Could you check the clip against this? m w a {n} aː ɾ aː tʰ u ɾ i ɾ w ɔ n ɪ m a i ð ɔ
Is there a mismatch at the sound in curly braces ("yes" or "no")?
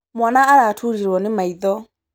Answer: no